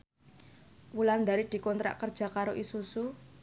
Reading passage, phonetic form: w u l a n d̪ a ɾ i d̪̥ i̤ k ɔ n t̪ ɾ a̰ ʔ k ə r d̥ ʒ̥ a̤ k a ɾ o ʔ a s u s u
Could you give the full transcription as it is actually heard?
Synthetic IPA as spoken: w u l a n d̪ a ɾ i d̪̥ i̤ k ɔ n t̪ ɾ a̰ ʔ k ə r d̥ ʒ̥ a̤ k a ɾ o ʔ i s u s u